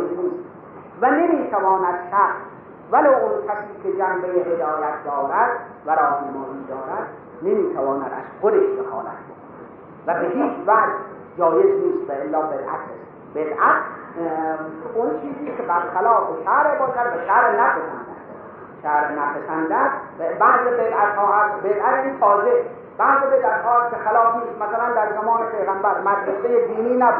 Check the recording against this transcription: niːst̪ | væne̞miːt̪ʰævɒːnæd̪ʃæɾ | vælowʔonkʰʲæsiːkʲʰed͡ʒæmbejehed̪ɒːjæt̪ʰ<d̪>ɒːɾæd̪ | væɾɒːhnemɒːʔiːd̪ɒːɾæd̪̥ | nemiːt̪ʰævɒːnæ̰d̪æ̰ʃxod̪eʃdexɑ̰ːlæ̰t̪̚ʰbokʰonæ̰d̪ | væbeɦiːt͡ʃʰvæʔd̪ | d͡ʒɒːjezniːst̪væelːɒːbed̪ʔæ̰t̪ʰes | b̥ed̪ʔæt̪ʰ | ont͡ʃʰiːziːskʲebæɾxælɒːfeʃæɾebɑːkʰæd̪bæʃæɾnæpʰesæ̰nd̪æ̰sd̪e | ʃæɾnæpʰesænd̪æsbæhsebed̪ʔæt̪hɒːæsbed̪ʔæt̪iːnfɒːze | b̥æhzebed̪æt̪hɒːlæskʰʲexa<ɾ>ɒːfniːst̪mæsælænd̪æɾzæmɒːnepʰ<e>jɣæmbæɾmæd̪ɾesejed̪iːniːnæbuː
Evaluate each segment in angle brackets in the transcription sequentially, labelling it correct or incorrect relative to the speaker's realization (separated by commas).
correct, incorrect, correct